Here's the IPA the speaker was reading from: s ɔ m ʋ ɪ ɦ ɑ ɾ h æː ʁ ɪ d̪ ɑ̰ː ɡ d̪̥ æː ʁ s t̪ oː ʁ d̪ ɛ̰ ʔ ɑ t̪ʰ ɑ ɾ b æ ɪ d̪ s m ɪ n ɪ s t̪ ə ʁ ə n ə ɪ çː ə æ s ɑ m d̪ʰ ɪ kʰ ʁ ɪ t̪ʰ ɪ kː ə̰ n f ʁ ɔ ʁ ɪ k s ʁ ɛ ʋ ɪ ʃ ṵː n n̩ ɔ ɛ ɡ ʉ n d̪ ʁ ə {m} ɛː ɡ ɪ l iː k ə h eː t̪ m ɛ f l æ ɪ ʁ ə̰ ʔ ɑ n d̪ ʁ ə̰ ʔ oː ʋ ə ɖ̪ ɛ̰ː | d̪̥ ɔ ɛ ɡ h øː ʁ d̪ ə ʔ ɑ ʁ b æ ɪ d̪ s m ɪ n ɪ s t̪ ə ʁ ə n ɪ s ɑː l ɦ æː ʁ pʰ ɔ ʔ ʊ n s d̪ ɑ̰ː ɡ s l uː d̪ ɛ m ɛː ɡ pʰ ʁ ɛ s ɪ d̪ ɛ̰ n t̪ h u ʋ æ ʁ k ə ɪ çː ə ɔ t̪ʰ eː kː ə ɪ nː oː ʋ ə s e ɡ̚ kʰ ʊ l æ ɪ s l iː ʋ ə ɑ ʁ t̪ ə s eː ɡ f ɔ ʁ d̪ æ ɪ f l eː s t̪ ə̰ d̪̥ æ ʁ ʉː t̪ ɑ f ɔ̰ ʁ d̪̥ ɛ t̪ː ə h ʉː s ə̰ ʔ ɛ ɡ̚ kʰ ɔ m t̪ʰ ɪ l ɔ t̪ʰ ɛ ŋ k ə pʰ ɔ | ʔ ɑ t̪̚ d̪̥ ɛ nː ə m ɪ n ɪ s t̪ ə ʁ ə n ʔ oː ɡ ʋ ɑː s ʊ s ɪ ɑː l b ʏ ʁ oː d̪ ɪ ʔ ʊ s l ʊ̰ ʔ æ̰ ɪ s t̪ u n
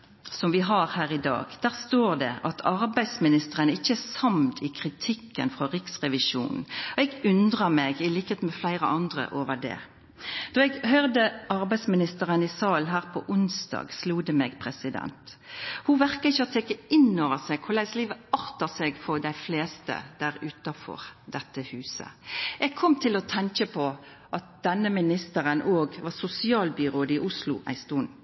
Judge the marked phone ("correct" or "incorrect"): correct